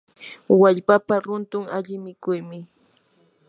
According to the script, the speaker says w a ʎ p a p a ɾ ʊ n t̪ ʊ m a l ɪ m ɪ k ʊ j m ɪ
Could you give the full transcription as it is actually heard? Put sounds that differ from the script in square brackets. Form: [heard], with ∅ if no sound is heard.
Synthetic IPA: w a ʎ p a p a ɾ ʊ n t̪ ʊ [ŋ] a [ʎ] ɪ m ɪ k ʊ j m ɪ